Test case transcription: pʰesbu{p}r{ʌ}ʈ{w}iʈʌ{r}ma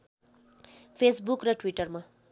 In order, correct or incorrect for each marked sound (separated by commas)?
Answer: incorrect, correct, correct, correct